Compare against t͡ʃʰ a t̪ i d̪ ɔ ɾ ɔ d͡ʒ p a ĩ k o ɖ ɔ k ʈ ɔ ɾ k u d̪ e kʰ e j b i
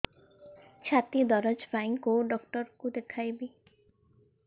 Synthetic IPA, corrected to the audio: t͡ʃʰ a t̪ i d̪ ɔ ɾ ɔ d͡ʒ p a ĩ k o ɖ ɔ k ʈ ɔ ɾ k u d̪ e kʰ a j b i